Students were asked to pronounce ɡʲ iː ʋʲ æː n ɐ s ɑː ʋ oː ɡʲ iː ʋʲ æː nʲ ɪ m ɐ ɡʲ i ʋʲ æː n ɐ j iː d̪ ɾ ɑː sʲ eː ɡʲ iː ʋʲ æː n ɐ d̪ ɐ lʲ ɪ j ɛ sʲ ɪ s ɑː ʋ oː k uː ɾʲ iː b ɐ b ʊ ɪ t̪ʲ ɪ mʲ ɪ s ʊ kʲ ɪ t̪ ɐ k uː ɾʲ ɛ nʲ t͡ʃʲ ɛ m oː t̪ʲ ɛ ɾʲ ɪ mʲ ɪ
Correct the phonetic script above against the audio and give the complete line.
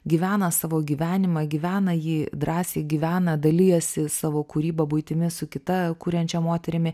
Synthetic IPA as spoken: ɡʲ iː ʋʲ æː n ɐ s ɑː ʋ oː ɡʲ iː ʋʲ æː nʲ ɪ m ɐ ɡʲ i ʋʲ æː n ɐ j iː d̪ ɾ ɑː sʲ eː ɡʲ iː ʋʲ æː n ɐ d̪ ɐ lʲ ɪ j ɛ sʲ ɪ s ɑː ʋ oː k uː ɾʲ iː b ɐ b ʊ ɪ t̪ʲ ɪ mʲ ɪ s ʊ kʲ ɪ t̪ ɐ k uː ɾʲ ɛ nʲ t͡ʃʲ ɛ m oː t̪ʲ ɛ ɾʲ ɪ mʲ ɪ